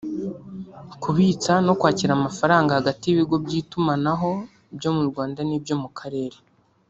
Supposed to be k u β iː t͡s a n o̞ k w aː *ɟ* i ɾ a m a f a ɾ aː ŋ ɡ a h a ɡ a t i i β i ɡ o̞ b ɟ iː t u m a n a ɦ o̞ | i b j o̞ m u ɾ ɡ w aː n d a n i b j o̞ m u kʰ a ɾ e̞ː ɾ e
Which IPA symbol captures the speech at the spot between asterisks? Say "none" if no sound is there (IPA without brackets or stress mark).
c